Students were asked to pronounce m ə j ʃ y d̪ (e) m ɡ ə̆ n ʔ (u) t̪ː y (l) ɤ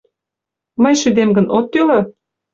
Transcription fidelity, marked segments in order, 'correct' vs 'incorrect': correct, incorrect: o, correct

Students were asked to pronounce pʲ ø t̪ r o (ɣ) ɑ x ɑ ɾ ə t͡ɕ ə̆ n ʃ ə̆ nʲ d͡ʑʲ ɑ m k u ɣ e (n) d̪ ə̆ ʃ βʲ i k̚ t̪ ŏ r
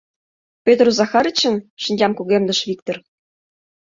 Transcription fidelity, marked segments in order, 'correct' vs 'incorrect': incorrect: z, incorrect: m

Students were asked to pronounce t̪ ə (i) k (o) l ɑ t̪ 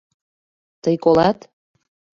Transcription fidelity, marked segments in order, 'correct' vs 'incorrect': incorrect: j, correct

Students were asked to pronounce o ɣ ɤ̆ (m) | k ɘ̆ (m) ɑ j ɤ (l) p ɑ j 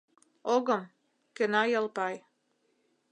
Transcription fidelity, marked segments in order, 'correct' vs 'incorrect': correct, incorrect: n, correct

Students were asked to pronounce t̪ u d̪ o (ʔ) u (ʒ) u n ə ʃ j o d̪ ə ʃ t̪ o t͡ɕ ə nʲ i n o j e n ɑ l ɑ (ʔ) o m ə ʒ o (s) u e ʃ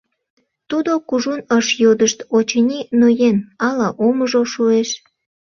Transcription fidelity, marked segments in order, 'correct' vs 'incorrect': incorrect: k, correct, correct, incorrect: ʃ

